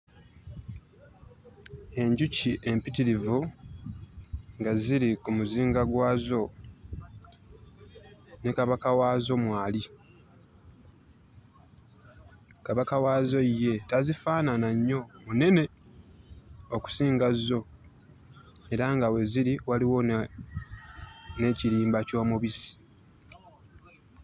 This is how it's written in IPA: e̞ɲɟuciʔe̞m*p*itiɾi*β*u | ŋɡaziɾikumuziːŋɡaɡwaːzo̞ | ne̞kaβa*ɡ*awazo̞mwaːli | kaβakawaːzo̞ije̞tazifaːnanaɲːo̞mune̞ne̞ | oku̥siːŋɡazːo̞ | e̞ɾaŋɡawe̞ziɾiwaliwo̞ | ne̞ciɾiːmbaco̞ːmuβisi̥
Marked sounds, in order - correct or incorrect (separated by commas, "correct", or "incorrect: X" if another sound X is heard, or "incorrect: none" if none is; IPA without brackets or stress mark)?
correct, incorrect: v, incorrect: k